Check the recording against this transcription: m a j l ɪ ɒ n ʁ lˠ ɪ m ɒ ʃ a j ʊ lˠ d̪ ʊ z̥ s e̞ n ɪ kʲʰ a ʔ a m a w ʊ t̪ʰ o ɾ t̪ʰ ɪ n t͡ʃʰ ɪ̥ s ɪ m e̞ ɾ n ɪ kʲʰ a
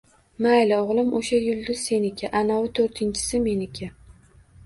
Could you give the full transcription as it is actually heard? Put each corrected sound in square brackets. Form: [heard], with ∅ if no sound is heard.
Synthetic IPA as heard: m a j l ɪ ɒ [∅] ʁ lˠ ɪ m [o] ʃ a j ʊ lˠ d̪ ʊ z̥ s e̞ n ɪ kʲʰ a ʔ a [n] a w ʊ t̪ʰ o ɾ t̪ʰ ɪ n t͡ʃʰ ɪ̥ s ɪ m e̞ [∅] n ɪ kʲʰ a